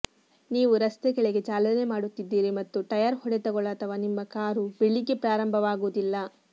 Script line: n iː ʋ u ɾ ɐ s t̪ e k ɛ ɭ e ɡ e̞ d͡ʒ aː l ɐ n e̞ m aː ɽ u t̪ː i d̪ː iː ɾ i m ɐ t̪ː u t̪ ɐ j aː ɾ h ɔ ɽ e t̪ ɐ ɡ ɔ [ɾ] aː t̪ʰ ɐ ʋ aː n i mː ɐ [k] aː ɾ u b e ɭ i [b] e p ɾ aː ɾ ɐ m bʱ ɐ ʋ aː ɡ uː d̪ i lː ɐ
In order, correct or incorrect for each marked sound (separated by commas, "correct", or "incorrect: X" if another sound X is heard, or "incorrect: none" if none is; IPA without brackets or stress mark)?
incorrect: ɭ, correct, incorrect: ɡ